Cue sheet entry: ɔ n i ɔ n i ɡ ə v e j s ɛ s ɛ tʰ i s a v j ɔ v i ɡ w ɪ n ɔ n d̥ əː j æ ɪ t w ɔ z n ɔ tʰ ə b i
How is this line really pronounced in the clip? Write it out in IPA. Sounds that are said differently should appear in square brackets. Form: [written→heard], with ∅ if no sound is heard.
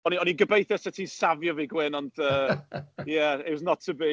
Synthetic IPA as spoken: ɔ n i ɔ n i ɡ ə [v→b] e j [s→θ] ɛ s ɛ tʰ i s a v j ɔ v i ɡ w ɪ n ɔ n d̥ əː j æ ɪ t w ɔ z n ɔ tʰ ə b i